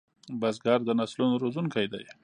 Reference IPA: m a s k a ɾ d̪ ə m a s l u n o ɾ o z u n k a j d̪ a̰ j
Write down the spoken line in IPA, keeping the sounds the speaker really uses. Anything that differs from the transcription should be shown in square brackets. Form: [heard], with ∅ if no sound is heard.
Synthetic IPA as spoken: [b] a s [ɡ] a ɾ d̪ ə [n] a s l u n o ɾ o z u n k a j d̪ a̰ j